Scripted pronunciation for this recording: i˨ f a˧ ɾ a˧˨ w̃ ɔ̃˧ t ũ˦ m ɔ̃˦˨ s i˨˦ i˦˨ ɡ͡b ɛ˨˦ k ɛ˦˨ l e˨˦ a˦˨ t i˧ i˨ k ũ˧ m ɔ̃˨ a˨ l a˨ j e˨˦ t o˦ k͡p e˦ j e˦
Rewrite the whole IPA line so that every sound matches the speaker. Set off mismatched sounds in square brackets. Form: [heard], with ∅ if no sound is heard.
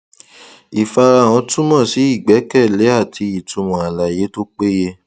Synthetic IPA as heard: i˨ f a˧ ɾ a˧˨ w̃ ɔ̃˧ t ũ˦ m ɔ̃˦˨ s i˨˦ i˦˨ ɡ͡b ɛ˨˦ k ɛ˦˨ l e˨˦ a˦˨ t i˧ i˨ [t] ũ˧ m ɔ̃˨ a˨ l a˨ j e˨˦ t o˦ k͡p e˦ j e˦